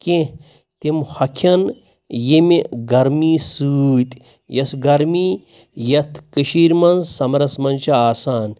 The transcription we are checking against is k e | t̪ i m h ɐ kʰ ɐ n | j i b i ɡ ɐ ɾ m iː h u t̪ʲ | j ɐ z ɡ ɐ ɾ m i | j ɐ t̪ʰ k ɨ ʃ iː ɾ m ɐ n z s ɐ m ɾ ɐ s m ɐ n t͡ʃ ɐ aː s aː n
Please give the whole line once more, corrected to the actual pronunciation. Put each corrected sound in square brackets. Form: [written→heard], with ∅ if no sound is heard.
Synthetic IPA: k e | t̪ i m h ɐ kʰ ɐ n | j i [b→m] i ɡ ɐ ɾ m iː [h→s] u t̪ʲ | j ɐ [z→s] ɡ ɐ ɾ m i | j ɐ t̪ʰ k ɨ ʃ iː ɾ m ɐ n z s ɐ m ɾ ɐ s m ɐ n t͡ʃ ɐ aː s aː n